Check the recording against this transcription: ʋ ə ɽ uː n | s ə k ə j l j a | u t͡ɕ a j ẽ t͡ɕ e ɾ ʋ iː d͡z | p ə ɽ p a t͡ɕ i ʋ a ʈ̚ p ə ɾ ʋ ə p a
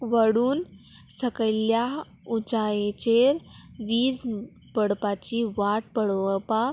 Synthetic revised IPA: ʋ ə ɽ uː n | s ə k ə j l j a | u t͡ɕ a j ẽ t͡ɕ e ɾ ʋ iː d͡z | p ə ɽ p a t͡ɕ i ʋ a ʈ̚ p ə ɽ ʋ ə p a